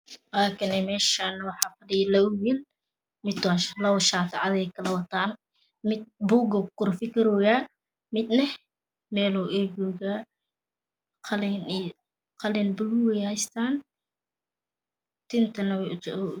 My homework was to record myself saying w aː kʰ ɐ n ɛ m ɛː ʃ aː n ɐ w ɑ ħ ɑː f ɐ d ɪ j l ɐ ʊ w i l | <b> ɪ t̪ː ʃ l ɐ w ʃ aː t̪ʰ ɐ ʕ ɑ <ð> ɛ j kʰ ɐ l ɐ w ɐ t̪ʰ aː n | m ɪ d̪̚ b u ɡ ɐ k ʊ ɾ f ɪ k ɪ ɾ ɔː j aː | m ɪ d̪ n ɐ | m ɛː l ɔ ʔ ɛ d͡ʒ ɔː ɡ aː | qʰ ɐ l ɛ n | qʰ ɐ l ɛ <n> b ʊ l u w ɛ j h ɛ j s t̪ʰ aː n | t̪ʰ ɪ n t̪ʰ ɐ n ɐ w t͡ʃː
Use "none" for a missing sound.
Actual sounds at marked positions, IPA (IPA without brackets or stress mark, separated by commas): m, ð, n